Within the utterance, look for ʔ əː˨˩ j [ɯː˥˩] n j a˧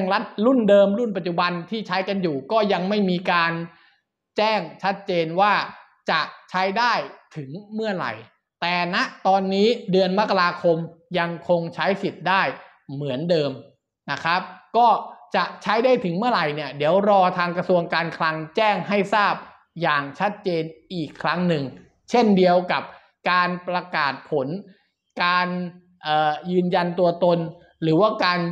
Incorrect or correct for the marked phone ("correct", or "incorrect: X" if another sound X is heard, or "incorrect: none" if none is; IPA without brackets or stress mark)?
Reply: incorrect: ɯː˧